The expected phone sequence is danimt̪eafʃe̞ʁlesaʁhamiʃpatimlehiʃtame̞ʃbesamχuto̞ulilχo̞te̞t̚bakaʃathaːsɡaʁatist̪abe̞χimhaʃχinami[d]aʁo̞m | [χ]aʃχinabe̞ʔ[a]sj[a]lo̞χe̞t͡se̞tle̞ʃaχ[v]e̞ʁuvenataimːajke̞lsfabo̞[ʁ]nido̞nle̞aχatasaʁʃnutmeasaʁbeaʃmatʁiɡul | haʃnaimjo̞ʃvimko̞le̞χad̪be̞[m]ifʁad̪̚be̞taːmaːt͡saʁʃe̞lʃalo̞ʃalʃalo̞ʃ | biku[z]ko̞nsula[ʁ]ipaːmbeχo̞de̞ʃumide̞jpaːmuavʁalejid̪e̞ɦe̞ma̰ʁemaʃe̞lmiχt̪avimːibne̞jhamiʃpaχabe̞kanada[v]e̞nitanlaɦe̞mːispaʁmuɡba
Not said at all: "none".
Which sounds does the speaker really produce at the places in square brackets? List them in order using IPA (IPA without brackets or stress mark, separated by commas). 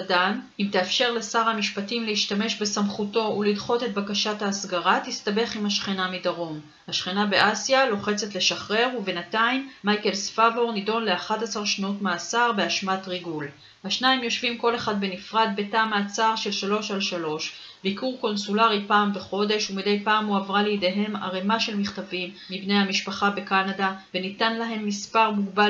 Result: d, h, a, a, ʁ, ʁ, n, ʁ, ʁ, v